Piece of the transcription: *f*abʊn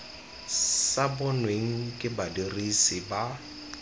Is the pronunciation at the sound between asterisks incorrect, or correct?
incorrect